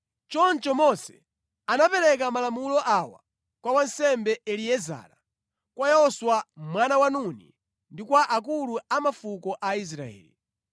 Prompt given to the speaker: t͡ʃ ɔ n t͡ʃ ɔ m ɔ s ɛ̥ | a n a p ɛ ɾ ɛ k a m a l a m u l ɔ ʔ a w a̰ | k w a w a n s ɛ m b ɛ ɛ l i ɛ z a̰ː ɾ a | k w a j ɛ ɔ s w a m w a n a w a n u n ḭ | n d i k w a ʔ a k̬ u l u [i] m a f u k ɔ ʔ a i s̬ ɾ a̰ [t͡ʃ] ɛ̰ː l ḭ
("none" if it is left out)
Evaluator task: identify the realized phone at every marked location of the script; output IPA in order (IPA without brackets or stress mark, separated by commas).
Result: a, none